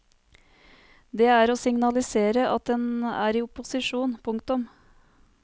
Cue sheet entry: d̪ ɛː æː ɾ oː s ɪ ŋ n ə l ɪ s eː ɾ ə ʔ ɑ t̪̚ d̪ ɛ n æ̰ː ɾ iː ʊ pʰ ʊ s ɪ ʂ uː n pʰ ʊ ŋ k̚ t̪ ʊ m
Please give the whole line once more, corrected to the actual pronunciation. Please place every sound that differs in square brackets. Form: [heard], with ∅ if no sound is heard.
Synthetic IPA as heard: d̪ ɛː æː ɾ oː s ɪ ŋ n [ɑ] l ɪ s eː ɾ ə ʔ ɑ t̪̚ d̪ ɛ n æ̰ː ɾ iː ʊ [p] ʊ s ɪ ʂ uː n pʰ ʊ ŋ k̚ t̪ ʊ m